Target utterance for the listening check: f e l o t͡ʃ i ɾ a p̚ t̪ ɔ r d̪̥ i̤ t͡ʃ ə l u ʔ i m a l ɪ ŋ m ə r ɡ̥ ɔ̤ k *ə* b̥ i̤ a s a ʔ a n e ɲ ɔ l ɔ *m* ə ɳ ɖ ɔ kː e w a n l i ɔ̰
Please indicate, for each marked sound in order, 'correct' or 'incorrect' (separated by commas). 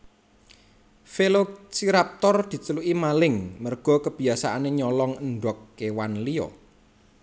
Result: correct, incorrect